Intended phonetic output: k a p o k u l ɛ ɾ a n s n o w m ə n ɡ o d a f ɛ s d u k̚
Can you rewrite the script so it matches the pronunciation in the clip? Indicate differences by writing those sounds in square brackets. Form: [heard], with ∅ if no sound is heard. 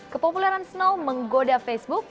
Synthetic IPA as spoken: k [ə] p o [p] u l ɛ ɾ a n s n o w m ə [ŋ] ɡ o d a f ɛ s [b] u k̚